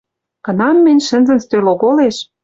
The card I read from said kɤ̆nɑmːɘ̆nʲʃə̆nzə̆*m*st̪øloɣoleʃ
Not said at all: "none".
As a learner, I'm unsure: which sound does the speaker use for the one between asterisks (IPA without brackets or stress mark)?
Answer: n